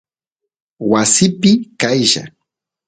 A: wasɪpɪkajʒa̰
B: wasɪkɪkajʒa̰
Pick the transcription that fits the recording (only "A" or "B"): A